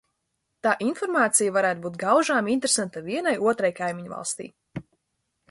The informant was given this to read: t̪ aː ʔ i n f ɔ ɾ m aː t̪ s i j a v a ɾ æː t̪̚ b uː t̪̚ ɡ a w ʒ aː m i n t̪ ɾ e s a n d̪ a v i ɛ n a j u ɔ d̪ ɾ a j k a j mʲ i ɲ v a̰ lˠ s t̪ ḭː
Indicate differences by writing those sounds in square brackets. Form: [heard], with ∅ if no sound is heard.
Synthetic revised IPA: t̪ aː ʔ i n f ɔ ɾ m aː t̪ s i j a v a ɾ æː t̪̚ b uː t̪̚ ɡ a w ʒ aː m i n t̪ ɾ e s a n [t̪] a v i ɛ n a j u ɔ [t̪] ɾ a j k a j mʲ i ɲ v a̰ lˠ s t̪ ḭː